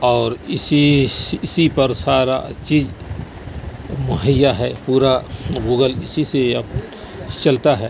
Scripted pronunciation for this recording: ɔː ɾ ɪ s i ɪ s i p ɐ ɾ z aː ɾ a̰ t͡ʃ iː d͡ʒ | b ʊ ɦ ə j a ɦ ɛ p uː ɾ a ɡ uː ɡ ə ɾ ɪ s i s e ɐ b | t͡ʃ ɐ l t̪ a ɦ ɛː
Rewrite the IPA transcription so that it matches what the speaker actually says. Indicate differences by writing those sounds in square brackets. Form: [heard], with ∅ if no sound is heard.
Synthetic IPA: ɔː ɾ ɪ s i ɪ s i p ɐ ɾ [s] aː ɾ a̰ t͡ʃ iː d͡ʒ | [m] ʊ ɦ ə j a ɦ ɛ p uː ɾ a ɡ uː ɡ ə [l] ɪ s i s e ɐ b | t͡ʃ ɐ l t̪ a ɦ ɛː